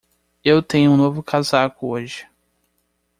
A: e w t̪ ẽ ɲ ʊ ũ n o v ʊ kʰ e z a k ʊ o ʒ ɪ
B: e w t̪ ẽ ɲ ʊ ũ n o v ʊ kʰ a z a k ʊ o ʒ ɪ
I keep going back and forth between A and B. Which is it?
B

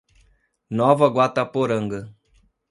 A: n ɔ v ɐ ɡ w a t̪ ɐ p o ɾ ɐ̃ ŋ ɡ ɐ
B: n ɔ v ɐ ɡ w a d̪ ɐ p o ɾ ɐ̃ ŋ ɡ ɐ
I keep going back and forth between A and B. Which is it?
A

